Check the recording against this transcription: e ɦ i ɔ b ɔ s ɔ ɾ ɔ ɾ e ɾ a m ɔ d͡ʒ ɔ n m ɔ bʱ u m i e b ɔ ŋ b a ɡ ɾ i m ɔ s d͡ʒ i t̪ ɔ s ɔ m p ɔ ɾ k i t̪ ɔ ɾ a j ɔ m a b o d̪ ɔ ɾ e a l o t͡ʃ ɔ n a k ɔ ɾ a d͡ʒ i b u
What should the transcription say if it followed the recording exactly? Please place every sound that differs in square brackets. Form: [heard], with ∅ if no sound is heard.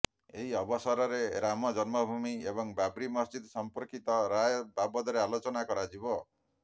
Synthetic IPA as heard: e ɦ i ɔ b ɔ s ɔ ɾ ɔ ɾ e ɾ a m ɔ d͡ʒ ɔ n m ɔ bʱ u m i e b ɔ ŋ b a [b] ɾ i m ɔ s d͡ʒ i [d̪] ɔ s ɔ m p ɔ ɾ k i t̪ ɔ ɾ a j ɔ [b] a b [ɔ] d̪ ɔ ɾ e a l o t͡ʃ ɔ n a k ɔ ɾ a d͡ʒ i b [ɔ]